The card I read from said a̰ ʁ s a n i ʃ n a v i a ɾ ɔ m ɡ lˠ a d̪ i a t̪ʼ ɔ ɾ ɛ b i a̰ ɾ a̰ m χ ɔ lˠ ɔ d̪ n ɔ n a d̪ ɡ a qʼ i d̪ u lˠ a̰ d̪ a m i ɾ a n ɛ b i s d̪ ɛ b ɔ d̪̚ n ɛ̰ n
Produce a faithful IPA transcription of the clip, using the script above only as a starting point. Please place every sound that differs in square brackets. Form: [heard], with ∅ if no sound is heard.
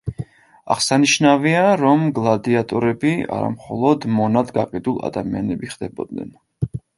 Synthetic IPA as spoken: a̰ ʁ s a n i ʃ n a v i a ɾ ɔ m ɡ lˠ a d̪ i a t̪ʼ ɔ ɾ ɛ b i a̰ ɾ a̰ m χ ɔ lˠ ɔ d̪ [m] ɔ n a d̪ ɡ a qʼ i d̪ u lˠ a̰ d̪ a m i [∅] a n ɛ b i [χ] d̪ ɛ b ɔ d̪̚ n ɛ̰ n